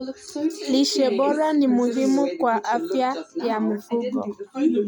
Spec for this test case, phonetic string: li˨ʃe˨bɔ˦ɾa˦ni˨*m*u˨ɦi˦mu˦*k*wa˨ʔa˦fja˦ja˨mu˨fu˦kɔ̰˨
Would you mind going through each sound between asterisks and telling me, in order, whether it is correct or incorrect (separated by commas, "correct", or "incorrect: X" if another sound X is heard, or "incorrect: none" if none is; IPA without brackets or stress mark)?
correct, correct